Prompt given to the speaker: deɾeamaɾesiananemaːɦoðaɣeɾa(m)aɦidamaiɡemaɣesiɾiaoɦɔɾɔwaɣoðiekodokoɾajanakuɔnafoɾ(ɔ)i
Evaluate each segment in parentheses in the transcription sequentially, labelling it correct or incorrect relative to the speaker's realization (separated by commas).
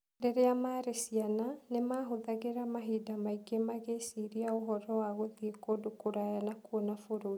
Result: correct, incorrect